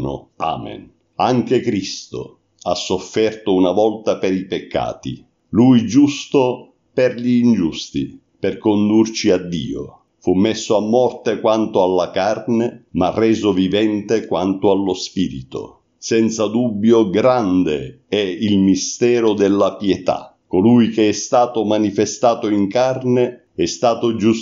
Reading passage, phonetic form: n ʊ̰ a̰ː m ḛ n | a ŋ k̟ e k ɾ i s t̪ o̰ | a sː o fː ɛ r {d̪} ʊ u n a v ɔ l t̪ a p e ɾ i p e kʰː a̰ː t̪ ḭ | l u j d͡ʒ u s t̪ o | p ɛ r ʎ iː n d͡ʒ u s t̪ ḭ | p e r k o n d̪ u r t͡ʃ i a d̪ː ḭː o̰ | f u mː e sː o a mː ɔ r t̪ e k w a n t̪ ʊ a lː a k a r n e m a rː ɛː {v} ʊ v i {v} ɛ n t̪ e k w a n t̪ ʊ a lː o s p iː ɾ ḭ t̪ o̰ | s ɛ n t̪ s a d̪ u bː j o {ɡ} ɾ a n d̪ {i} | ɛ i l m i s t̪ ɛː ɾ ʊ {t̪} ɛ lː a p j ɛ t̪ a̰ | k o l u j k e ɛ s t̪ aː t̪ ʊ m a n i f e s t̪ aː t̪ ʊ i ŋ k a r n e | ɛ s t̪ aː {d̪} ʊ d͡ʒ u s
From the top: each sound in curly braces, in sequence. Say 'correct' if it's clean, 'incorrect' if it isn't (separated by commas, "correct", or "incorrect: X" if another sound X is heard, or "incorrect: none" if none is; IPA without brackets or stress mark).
incorrect: t̪, incorrect: z, correct, correct, incorrect: e, incorrect: d̪, incorrect: t̪